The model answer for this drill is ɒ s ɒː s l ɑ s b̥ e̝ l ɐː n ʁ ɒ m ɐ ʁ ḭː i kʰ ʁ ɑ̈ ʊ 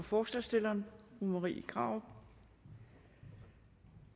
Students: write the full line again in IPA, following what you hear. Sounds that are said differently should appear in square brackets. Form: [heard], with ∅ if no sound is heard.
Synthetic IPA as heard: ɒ [f] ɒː s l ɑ s [d̥] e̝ l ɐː n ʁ [u] m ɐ ʁ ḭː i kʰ ʁ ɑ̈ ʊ

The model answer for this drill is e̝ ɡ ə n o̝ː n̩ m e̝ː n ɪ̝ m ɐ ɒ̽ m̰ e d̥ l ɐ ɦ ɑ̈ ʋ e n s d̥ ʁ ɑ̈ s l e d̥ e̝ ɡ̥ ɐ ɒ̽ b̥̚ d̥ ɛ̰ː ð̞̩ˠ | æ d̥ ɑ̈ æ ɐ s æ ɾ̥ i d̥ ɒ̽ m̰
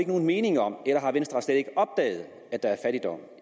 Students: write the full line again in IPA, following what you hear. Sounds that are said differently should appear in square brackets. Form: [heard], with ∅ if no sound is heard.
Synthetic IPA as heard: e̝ ɡ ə n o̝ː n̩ m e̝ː n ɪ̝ [ŋ] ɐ ɒ̽ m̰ e [∅] l ɐ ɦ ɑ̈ ʋ e n s d̥ ʁ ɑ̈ s l e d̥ e̝ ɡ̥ [ə] ɒ̽ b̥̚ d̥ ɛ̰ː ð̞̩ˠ | æ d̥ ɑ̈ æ ɐ [f] æ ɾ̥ i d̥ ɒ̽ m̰

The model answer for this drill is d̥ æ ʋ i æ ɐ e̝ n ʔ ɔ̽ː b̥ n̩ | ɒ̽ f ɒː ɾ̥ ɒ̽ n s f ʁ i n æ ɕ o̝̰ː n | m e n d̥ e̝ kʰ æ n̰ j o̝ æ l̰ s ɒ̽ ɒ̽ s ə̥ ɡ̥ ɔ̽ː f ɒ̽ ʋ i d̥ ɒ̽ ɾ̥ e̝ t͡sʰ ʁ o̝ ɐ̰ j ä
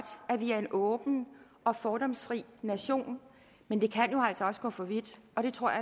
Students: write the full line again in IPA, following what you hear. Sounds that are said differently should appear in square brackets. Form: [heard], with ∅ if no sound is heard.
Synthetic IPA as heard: d̥ æ ʋ i æ ɐ e̝ n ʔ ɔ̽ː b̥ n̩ | ɒ̽ f ɒː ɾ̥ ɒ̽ [m] s f ʁ i n æ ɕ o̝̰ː n | m e n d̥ e̝ kʰ æ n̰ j o̝ æ l̰ s ɒ̽ ɒ̽ s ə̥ ɡ̥ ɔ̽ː f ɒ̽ ʋ i d̥ ɒ̽ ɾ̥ e̝ t͡sʰ ʁ o̝ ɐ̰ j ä

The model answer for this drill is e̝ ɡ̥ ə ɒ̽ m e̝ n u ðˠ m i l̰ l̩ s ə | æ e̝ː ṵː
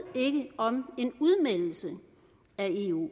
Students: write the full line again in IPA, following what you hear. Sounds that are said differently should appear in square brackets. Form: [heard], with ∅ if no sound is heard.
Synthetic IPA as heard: e̝ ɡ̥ ə ɒ̽ m e̝ n u ðˠ m [e] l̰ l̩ s ə | æ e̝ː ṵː

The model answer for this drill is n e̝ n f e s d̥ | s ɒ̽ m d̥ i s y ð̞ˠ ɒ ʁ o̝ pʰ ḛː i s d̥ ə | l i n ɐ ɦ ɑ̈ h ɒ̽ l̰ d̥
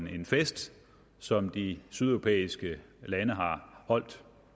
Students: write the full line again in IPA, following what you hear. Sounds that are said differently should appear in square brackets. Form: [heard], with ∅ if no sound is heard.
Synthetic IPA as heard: n e̝ n f e s d̥ | s ɒ̽ m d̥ i s y ð̞ˠ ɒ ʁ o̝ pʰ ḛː i s [ɡ̥] ə | l [æ] n [ə] ɦ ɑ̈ h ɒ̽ l̰ d̥

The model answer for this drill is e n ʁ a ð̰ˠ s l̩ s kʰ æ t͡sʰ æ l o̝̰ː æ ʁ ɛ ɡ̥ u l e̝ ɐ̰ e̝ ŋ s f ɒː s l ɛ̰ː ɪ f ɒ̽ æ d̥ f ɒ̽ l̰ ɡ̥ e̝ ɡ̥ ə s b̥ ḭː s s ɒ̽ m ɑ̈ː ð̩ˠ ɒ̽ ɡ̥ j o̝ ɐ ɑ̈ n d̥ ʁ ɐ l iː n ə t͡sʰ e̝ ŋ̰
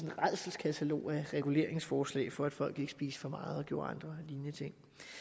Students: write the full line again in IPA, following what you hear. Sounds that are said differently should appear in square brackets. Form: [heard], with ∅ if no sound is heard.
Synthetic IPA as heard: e n ʁ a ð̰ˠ s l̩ s kʰ æ t͡sʰ æ l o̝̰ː æ ʁ ɛ ɡ̥ u l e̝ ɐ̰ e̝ ŋ s f ɒː s l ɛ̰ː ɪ f ɒ̽ æ d̥ f ɒ̽ l̰ ɡ̥ e̝ ɡ̥ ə s b̥ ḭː s [f] ɒ̽ m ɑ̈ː ð̩ˠ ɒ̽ ɡ̥ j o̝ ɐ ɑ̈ n d̥ ʁ ɐ l iː n ə t͡sʰ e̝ ŋ̰

